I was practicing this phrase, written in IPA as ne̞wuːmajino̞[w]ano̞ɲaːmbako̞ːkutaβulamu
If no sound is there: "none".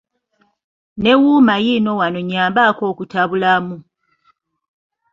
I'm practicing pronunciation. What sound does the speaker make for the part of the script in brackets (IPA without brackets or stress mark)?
w